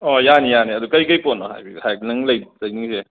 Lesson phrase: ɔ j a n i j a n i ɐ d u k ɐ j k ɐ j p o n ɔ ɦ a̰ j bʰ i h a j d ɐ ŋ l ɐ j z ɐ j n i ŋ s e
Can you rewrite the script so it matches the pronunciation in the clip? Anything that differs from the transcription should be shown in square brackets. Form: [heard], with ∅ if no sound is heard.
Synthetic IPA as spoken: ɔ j a n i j a n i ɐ d u k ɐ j k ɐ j p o n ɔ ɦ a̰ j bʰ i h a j [n] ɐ ŋ l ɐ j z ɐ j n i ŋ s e